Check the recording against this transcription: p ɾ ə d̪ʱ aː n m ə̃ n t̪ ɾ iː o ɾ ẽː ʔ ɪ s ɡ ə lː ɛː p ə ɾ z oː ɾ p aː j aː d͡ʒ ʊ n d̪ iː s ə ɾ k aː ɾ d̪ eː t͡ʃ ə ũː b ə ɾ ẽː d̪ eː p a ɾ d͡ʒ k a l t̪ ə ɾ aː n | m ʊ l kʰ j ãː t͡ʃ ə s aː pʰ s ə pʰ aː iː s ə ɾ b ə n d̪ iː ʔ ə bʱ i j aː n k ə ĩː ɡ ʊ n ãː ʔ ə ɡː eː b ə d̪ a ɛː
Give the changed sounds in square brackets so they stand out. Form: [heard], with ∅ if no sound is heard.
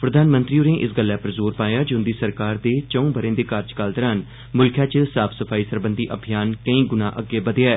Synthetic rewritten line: p ɾ ə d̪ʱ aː n m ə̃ n t̪ ɾ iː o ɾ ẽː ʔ ɪ s ɡ ə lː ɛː p ə ɾ z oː ɾ p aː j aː d͡ʒ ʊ n d̪ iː s ə ɾ k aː ɾ d̪ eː t͡ʃ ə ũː b ə ɾ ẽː d̪ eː [k] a ɾ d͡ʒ k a l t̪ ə ɾ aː n | m ʊ l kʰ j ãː t͡ʃ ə s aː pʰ s ə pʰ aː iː s ə ɾ b ə n d̪ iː ʔ ə bʱ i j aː n k ə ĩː ɡ ʊ n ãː ʔ ə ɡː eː b ə d̪ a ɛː